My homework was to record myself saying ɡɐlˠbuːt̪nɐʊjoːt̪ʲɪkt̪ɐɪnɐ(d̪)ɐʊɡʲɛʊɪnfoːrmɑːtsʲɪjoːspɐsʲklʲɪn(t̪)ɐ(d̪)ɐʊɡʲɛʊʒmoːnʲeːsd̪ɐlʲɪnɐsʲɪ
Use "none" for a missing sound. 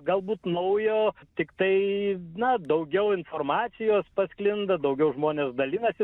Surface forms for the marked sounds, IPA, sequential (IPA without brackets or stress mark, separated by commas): d̪, d̪, d̪